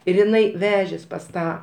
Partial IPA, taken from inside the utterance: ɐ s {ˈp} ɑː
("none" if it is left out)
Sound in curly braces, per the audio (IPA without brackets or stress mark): t